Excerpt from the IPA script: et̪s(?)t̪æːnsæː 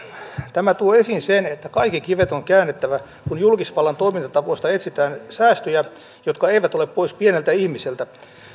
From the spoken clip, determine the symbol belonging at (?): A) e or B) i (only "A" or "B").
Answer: B